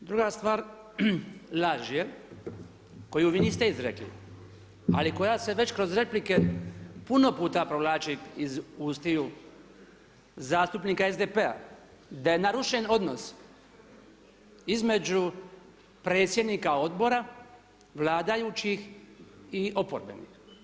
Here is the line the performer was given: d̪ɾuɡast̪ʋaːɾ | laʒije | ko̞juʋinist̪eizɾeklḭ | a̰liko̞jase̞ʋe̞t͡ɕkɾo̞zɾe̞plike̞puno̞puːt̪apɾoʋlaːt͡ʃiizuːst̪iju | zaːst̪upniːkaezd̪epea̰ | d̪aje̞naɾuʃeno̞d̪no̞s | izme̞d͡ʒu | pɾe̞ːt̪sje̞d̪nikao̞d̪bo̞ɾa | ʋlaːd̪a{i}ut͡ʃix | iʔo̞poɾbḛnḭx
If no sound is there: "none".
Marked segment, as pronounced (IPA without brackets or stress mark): j